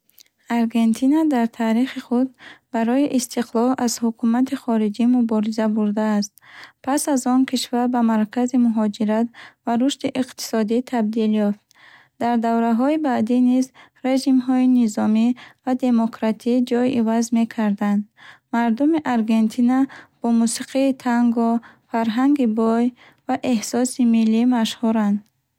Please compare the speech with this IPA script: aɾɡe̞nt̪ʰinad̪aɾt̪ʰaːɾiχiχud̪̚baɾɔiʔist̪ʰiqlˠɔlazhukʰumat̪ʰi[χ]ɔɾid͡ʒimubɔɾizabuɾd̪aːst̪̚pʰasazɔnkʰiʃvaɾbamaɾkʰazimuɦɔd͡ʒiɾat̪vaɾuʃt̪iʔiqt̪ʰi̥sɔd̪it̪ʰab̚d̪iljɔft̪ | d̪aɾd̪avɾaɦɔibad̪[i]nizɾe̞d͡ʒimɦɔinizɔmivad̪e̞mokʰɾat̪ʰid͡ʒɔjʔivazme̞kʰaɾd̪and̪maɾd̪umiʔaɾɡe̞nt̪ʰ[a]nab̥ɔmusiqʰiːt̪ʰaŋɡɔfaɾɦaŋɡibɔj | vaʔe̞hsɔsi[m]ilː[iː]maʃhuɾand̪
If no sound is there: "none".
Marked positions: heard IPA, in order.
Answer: χ, i, i, m, i

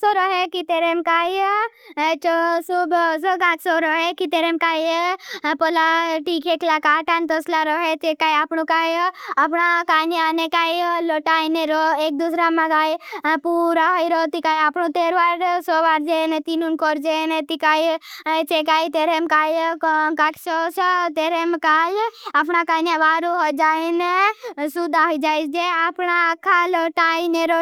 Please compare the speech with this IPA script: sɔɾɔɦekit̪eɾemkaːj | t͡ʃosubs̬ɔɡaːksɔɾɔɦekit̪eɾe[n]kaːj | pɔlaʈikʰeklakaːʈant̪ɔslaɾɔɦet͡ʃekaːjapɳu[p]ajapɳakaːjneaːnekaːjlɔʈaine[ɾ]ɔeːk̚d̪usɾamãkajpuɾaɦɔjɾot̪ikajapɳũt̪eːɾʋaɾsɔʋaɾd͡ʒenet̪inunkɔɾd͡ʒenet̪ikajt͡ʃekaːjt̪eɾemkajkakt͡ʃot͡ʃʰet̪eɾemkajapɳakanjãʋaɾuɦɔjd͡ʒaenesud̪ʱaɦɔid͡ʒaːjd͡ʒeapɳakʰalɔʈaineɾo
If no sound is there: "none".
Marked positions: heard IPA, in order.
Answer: m, k, ɾ

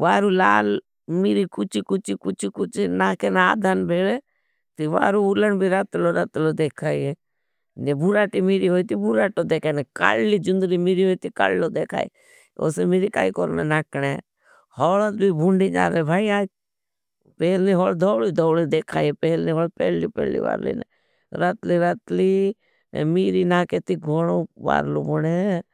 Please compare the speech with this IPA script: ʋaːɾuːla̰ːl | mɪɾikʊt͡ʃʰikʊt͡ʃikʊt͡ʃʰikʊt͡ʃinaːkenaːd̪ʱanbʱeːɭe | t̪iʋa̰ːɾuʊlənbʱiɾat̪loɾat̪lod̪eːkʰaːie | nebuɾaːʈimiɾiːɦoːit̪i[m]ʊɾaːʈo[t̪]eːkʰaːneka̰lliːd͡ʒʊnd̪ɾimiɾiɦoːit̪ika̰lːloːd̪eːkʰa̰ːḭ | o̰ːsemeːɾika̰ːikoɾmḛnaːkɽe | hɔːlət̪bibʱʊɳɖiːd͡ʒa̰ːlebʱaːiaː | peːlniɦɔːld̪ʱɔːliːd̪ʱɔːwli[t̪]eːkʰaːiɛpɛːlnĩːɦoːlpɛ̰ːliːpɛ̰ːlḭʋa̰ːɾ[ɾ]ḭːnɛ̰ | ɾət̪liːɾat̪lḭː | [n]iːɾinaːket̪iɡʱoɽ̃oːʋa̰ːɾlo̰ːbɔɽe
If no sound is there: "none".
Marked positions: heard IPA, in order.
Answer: b, d̪, d̪, l, m

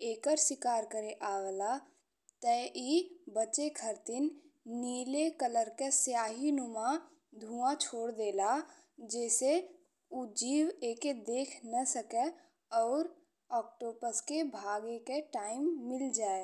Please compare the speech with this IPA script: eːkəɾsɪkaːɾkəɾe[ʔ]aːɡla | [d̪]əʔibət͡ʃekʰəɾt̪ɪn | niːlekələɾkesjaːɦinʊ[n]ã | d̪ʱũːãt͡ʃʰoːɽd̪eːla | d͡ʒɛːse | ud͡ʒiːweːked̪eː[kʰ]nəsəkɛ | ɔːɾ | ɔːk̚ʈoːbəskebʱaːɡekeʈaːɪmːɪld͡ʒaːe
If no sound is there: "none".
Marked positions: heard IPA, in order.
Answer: ʔ, t̪, m, kʰ

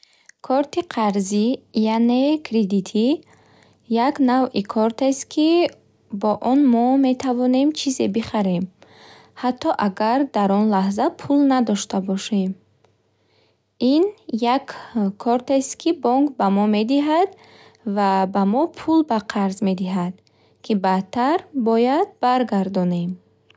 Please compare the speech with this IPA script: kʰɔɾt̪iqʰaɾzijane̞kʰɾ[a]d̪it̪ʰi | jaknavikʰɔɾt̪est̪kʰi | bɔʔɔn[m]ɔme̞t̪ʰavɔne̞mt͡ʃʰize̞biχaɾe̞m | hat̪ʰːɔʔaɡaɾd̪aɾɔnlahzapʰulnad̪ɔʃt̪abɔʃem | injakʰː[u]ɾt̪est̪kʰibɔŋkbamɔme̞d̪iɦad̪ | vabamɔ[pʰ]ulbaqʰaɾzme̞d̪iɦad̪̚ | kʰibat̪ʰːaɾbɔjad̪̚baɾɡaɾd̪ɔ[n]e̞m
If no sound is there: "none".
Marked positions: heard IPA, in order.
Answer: e, m, ɔ, pʰ, n

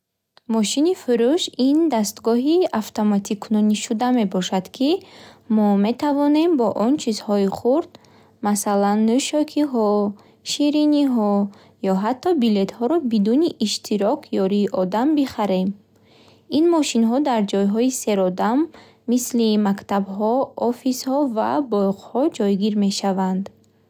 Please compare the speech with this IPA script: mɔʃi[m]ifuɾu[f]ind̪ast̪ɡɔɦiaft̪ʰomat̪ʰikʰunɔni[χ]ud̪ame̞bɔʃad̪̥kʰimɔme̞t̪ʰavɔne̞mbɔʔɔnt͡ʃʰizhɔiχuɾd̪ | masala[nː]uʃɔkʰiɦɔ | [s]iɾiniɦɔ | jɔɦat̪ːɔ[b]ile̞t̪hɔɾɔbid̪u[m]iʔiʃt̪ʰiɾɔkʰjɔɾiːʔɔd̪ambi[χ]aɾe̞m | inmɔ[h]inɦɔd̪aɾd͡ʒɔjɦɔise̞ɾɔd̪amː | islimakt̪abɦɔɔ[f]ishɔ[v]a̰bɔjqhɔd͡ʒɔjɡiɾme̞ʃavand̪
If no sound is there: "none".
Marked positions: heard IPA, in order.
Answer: n, ʃ, ʃ, nː, ʃ, b, n, χ, ʃ, f, v

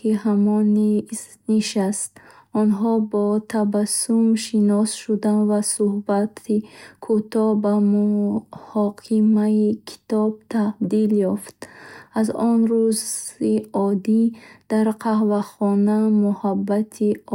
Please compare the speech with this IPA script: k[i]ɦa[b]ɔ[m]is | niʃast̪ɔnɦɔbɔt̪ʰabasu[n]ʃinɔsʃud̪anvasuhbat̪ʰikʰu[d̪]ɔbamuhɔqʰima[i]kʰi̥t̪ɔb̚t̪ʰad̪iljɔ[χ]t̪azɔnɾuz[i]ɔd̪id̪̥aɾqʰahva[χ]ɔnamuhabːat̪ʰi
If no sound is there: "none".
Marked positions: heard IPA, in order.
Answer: i, m, n, m, t̪, i, f, i, χ

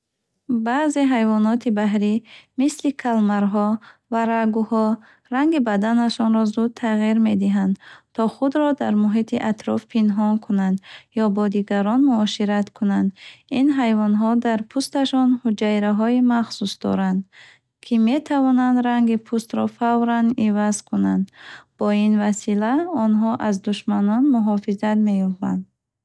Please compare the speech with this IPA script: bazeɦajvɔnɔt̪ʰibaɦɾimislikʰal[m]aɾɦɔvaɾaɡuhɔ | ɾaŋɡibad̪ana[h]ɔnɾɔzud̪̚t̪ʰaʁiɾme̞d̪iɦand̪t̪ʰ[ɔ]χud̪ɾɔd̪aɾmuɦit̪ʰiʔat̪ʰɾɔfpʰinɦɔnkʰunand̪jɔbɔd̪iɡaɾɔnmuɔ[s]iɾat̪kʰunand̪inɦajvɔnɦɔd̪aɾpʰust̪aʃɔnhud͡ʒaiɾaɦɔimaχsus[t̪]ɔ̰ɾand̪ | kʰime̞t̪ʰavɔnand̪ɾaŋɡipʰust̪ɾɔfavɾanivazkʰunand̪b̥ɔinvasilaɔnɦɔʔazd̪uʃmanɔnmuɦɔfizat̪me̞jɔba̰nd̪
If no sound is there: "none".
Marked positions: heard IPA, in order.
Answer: m, ʃ, ɔ, ʃ, d̪

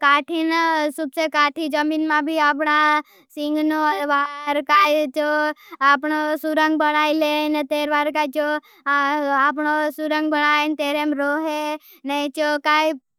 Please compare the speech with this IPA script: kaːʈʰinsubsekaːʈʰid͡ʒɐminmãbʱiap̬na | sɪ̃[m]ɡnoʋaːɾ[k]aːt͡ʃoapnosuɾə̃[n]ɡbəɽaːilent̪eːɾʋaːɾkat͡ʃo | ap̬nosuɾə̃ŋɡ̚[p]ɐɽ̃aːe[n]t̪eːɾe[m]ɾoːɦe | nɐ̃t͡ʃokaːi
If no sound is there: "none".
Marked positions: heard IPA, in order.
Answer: ŋ, k, ŋ, b, n, m

